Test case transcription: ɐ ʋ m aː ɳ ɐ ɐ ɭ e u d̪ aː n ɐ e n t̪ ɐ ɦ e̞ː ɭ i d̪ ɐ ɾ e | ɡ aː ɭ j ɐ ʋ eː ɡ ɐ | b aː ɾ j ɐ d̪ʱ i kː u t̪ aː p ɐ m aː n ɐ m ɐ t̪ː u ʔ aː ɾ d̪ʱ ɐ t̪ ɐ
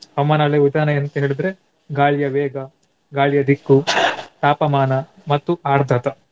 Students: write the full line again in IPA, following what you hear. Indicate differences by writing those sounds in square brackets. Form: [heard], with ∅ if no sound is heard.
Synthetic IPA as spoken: ɐ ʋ m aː [n] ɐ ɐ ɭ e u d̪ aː n ɐ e n t̪ ɐ ɦ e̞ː ɭ i d̪ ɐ ɾ e | ɡ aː ɭ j ɐ ʋ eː ɡ ɐ | [ɡ] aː [ɭ] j ɐ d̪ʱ i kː u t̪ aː p ɐ m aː n ɐ m ɐ t̪ː u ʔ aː ɾ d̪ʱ ɐ t̪ ɐ

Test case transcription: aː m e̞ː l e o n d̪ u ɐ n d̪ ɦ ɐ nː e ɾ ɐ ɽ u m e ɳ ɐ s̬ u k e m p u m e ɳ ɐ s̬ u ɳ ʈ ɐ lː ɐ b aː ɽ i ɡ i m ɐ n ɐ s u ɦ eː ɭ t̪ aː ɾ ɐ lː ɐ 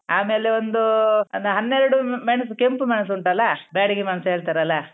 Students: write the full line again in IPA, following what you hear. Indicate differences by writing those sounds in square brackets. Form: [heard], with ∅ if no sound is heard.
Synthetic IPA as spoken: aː m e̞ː l e o n d̪ u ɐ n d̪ ɦ ɐ nː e ɾ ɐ ɽ u m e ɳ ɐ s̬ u k e m p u m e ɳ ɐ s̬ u ɳ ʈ ɐ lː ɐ b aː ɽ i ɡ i m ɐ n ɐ s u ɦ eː ɭ t̪ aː ɾ ɐ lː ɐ

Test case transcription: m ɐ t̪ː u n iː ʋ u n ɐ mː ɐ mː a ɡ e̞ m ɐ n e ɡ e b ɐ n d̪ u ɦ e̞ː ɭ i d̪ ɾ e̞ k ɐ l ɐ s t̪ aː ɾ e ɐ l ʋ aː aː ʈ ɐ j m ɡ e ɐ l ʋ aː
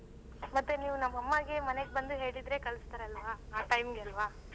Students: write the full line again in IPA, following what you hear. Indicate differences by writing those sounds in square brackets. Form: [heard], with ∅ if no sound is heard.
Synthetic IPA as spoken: m ɐ t̪ː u n iː ʋ u n ɐ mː ɐ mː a ɡ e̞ m ɐ n e ɡ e b ɐ n d̪ u ɦ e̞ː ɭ i d̪ ɾ e̞ k ɐ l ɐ s t̪ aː ɾ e ɐ l ʋ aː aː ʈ ɐ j m ɡ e ɐ l ʋ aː

